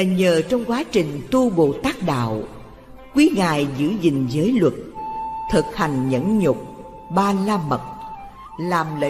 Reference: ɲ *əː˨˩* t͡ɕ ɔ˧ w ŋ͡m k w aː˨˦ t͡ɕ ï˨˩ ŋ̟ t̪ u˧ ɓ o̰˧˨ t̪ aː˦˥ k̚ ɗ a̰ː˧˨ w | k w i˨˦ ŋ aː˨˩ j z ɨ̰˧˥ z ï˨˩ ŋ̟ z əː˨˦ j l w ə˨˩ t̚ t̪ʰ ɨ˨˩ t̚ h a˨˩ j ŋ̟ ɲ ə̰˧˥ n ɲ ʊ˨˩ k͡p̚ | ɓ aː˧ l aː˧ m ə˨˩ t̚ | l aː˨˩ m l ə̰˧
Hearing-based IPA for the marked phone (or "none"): əː˨˩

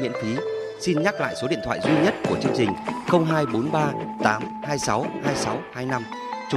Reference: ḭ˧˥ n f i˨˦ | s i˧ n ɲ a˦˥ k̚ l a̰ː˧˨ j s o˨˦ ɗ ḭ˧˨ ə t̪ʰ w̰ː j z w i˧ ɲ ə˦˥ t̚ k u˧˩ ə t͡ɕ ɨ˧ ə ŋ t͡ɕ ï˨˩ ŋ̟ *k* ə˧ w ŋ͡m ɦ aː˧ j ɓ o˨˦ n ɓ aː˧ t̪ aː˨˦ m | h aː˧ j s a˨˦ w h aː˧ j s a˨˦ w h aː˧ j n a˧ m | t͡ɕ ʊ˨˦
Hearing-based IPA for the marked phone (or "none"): x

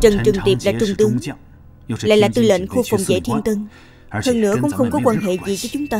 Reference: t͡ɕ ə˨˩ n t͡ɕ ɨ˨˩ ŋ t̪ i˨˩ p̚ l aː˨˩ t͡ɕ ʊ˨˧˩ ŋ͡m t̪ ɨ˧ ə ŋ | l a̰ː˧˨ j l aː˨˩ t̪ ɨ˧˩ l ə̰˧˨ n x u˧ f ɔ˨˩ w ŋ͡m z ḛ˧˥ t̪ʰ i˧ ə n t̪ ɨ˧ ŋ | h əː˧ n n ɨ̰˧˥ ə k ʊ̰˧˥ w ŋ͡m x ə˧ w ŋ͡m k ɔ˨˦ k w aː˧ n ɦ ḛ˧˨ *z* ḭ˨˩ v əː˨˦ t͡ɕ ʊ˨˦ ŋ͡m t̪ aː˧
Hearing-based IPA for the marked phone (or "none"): z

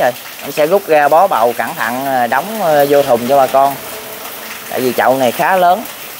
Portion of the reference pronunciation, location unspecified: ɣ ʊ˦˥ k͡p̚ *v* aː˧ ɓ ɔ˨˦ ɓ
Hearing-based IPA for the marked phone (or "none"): ɣ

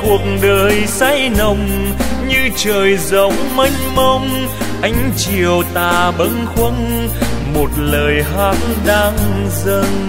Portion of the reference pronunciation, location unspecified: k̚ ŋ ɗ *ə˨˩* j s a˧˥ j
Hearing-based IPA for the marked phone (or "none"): əː˨˩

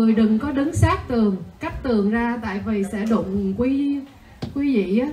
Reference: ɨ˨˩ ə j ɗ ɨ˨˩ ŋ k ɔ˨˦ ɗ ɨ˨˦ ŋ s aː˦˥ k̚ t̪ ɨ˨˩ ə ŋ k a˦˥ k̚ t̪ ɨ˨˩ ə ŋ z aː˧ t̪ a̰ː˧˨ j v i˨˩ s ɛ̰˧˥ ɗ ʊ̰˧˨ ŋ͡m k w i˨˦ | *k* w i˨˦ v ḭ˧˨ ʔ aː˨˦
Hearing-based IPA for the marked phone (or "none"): k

